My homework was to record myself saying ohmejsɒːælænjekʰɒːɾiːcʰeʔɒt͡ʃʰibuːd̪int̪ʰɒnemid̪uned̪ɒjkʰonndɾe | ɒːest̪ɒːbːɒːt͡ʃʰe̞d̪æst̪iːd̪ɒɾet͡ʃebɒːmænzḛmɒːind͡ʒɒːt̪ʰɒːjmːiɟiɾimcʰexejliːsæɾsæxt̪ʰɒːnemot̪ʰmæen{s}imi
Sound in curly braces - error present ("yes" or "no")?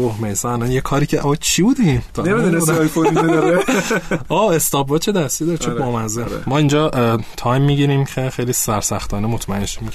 yes